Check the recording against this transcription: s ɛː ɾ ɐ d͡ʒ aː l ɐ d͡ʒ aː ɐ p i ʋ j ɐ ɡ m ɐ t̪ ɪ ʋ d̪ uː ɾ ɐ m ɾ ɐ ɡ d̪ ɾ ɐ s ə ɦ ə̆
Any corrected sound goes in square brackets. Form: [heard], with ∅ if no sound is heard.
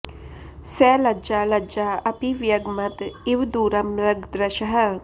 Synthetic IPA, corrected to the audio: s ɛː [l] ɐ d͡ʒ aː l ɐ d͡ʒ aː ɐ p i ʋ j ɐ ɡ m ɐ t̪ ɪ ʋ d̪ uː ɾ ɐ m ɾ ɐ ɡ d̪ ɾ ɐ [ʃ] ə ɦ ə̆